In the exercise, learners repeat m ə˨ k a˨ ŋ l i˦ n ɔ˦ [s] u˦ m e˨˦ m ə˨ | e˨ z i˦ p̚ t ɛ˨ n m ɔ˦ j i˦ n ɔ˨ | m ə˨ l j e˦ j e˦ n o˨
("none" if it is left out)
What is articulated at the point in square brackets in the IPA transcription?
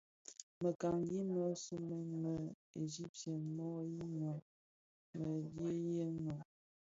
s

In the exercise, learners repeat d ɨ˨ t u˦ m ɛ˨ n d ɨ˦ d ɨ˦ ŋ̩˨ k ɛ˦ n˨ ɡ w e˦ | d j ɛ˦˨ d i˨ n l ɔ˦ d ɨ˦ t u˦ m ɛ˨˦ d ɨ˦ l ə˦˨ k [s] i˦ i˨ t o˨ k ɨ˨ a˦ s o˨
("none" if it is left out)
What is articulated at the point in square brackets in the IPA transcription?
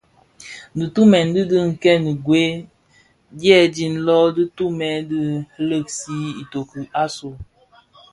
s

